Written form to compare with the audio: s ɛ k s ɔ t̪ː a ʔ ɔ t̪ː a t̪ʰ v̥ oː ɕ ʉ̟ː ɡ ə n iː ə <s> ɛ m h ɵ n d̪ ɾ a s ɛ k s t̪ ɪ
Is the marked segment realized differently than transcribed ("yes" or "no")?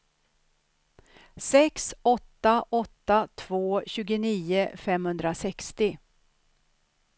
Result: yes